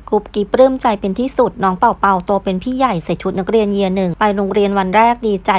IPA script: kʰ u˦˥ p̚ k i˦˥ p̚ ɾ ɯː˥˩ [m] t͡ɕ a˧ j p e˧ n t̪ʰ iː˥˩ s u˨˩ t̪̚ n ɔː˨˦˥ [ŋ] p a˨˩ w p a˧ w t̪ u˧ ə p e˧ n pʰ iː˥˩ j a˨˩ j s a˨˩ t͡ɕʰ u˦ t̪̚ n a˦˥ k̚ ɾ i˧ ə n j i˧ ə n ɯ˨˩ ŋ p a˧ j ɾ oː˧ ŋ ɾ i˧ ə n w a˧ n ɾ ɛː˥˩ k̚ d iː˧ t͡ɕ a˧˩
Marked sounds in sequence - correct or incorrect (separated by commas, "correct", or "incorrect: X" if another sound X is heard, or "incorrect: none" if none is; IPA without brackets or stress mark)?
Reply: correct, correct